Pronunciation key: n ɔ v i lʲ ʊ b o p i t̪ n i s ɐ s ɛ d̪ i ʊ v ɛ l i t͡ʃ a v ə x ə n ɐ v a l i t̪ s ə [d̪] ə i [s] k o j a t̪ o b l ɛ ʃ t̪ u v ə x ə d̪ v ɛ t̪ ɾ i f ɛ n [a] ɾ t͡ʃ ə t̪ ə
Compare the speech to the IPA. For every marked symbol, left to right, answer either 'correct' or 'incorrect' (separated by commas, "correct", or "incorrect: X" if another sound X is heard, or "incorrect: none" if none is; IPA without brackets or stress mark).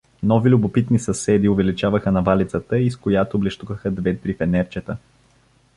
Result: incorrect: t̪, correct, incorrect: ɛ